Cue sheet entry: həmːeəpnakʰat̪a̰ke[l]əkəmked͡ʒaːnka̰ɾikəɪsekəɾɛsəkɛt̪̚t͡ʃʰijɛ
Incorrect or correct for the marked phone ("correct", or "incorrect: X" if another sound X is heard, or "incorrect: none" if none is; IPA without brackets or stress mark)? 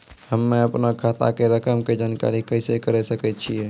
incorrect: ɾ